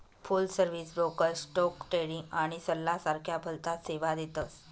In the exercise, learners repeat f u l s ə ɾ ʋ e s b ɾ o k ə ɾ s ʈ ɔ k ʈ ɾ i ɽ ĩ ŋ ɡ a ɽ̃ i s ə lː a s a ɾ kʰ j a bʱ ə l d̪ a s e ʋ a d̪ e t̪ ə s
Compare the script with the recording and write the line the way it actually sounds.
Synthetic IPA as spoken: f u l s ə ɾ ʋ i s b ɾ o k ə ɾ s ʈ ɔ k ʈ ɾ e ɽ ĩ ŋ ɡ a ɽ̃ i s ə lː a s a ɾ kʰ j a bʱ ə l t̪ a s e ʋ a d̪ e t̪ ə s